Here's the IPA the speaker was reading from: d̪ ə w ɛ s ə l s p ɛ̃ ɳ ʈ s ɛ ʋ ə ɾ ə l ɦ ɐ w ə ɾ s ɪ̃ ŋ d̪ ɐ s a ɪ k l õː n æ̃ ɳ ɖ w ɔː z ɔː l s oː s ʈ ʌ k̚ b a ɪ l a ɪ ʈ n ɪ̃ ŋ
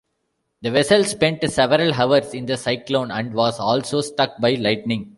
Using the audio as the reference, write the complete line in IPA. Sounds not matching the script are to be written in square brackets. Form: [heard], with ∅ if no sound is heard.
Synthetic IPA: d̪ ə [ʋ] ɛ s ə l s p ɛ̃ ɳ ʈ s ɛ ʋ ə ɾ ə l ɦ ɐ [ʋ] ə ɾ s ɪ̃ [n] d̪ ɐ s a ɪ k l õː n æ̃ ɳ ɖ [ʋ] ɔː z ɔː l s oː s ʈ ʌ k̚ b a ɪ l a ɪ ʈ n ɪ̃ ŋ

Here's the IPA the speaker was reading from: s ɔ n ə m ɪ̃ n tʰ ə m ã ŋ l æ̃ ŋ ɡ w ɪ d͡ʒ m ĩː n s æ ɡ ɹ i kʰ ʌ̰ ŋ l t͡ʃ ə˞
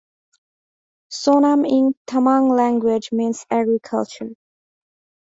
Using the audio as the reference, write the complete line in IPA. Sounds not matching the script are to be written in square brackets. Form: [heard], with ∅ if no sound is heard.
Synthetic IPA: s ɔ n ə m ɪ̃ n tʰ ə m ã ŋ l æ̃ ŋ ɡ w ɪ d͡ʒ m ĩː n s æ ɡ ɹ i kʰ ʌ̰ [∅] l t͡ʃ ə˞

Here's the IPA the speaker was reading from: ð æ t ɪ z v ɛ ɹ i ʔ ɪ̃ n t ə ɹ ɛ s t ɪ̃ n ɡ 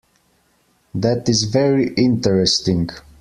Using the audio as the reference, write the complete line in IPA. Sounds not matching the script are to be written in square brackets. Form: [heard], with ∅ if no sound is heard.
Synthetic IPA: ð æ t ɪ z v ɛ ɹ i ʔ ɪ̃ n t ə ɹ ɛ s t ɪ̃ [ŋ] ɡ

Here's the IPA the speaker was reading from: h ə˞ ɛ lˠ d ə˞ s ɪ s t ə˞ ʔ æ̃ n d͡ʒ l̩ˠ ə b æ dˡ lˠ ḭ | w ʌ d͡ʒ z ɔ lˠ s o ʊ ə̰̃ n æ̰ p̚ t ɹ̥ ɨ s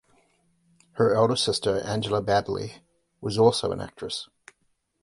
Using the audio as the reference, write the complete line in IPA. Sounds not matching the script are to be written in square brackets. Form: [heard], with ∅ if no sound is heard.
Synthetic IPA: h ə˞ ɛ lˠ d ə˞ s ɪ s t ə˞ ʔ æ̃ n d͡ʒ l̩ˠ ə b æ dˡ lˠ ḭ | w ʌ [∅] z ɔ lˠ s o ʊ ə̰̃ n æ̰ [k̚] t ɹ̥ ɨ s

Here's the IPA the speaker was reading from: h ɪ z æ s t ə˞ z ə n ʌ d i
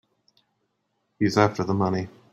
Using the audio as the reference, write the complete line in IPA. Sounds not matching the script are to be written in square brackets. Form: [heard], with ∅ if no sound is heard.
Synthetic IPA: h [i] z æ [f] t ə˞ [ð] ə [m] ʌ [n] i

